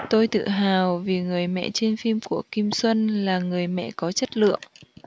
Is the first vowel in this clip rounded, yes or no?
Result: yes